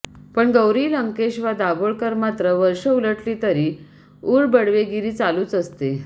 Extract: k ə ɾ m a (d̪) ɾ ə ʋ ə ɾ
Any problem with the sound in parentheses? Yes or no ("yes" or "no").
yes